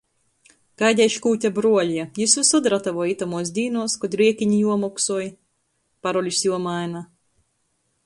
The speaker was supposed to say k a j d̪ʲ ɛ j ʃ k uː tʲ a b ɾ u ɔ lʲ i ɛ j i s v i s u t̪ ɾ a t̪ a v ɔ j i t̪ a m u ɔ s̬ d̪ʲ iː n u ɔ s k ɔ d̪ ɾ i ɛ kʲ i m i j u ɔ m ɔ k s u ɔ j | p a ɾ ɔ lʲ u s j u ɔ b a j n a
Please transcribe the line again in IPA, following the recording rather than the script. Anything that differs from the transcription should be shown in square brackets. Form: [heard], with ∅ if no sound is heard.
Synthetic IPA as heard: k a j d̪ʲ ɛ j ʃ k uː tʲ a b ɾ u ɔ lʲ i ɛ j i s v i s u [d̪] ɾ a t̪ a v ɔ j i t̪ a m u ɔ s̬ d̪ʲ iː n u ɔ s k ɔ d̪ ɾ i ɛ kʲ i [ɲ] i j u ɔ m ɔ k s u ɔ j | p a ɾ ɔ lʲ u s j u ɔ [m] a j n a